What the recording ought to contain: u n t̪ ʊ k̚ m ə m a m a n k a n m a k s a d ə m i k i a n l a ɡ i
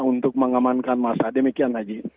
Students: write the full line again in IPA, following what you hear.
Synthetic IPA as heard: u n t̪ ʊ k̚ m ə ŋ a m a n k a n m a s a d ə m i k i a n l a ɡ i